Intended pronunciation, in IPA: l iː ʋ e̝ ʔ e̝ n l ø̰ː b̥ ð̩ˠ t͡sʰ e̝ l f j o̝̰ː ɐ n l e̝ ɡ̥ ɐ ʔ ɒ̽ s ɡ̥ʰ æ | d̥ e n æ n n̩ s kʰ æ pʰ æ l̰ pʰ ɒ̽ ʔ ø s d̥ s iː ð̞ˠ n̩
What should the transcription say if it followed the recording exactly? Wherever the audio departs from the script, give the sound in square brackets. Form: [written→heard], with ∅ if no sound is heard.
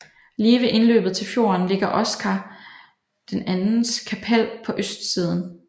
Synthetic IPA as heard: l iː ʋ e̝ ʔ e̝ n l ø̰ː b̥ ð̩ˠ t͡sʰ e̝ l f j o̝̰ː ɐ n l e̝ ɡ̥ ɐ ʔ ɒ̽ s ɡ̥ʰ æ | d̥ e n æ n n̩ s kʰ æ pʰ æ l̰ pʰ ɒ̽ ʔ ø s d̥ s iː ð̞ˠ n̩